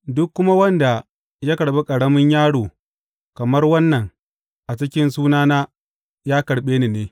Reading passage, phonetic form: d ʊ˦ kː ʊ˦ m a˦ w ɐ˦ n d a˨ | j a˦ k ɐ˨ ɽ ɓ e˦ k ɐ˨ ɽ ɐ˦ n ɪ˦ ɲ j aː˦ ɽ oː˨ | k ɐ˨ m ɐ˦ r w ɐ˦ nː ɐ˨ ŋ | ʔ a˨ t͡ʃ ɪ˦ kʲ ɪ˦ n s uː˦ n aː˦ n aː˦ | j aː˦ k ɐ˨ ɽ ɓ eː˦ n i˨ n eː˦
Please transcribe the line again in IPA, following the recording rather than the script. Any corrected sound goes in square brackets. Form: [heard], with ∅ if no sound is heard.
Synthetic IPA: d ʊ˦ kː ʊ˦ m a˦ w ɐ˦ n d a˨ | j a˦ k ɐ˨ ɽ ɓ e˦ [kʼ] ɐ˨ ɽ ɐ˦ [m] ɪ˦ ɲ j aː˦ ɽ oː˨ | k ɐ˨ m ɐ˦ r w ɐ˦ nː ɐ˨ ŋ | ʔ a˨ t͡ʃ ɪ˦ kʲ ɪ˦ n s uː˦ n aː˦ n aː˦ | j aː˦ k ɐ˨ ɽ ɓ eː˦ n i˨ n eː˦